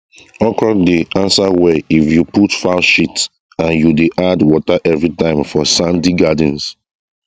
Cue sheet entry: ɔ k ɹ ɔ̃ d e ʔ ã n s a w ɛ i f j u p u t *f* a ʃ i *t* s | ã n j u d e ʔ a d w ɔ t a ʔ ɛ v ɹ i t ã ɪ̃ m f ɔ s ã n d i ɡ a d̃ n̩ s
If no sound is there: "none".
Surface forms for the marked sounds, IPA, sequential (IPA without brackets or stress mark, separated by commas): f, t